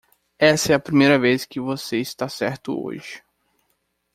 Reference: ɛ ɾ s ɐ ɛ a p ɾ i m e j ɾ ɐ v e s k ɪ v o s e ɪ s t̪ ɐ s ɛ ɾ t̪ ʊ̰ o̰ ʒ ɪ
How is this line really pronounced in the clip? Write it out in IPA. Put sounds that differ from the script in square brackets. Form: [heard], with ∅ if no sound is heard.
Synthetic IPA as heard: ɛ [∅] s ɐ ɛ [ɐ] p ɾ i m e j ɾ ɐ v e s k ɪ v o s e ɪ s t̪ [a] s ɛ ɾ t̪ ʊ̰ o̰ ʒ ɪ